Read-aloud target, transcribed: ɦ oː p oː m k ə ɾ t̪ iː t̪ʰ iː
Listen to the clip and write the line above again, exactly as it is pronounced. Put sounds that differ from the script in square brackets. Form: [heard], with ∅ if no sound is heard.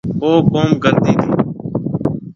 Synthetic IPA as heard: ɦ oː [k] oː m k ə ɾ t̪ iː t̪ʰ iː